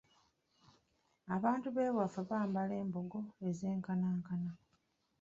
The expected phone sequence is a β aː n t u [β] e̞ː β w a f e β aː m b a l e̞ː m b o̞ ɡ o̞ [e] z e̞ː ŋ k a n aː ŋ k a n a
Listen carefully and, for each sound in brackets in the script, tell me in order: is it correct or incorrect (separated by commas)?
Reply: correct, correct